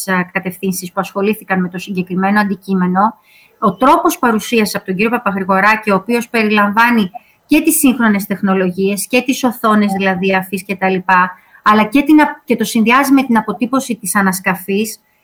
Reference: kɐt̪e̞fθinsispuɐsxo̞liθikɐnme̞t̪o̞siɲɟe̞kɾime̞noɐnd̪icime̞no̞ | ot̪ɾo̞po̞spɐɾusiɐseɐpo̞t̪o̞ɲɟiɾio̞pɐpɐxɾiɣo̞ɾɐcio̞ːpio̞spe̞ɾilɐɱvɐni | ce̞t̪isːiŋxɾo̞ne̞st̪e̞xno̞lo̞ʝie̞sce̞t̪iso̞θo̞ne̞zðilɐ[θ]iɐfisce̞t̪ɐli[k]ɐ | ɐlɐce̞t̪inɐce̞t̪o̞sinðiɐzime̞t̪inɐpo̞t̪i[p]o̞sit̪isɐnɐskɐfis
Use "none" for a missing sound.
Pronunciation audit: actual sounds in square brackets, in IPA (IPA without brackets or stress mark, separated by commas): ð, p, p